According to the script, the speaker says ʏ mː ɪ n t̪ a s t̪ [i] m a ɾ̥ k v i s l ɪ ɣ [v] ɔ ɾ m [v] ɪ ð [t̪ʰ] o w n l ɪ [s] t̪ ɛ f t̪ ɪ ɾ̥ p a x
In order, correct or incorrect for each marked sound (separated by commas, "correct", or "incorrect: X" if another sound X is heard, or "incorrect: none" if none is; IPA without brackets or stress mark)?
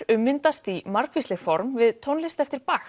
correct, incorrect: f, correct, correct, correct